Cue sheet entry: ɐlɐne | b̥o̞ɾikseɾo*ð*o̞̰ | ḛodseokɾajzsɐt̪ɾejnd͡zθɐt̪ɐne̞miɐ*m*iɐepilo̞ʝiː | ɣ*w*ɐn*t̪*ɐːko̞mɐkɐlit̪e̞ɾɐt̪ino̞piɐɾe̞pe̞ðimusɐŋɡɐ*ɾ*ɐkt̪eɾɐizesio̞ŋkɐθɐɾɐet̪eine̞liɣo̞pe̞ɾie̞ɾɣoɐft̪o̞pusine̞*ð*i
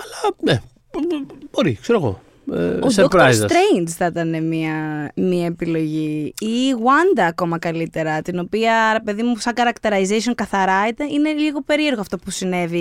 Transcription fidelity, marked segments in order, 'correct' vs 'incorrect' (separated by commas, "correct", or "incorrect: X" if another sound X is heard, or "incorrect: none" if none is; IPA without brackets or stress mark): incorrect: ɣ, correct, correct, incorrect: d̪, correct, incorrect: v